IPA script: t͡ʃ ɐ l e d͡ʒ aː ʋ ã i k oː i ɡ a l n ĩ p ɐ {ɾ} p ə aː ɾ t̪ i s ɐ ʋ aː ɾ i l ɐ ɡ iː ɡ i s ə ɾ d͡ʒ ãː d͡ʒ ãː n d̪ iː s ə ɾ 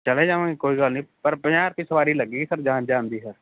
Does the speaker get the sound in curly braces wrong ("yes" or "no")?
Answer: no